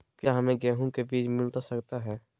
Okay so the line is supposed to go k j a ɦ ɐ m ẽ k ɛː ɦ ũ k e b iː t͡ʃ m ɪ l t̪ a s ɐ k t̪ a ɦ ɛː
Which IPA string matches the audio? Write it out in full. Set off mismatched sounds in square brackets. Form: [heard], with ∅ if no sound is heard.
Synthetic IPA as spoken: k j a ɦ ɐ m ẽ [ɡ] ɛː ɦ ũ k e b iː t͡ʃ m ɪ l t̪ a s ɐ k t̪ a ɦ ɛː